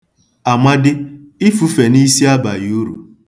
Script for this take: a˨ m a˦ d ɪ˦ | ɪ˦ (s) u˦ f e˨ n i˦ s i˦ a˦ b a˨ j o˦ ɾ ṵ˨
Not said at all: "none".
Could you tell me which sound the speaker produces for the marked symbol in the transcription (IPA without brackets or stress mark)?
f